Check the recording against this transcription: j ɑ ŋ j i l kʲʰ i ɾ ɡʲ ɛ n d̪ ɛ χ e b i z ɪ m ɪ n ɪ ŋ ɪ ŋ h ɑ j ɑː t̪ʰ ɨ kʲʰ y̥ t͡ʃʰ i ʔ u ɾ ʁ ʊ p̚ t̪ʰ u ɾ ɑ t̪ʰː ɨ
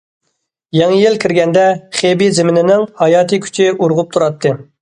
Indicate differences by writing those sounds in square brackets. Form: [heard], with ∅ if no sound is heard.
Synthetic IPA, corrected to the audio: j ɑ ŋ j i l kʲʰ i ɾ ɡʲ ɛ n d̪ ɛ χ e b i z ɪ m ɪ n ɪ [n] ɪ ŋ h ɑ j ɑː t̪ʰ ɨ kʲʰ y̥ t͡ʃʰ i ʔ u ɾ ʁ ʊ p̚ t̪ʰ u ɾ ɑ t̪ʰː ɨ